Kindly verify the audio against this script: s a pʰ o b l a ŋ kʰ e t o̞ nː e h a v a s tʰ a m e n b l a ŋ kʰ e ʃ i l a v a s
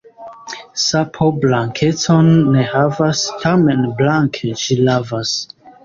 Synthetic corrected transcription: s a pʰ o b l a ŋ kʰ e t o̞ nː e h a v a s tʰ a m e n b l a ŋ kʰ e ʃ i l a v a s